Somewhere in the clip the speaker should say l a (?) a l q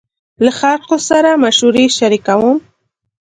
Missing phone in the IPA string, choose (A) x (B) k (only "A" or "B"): A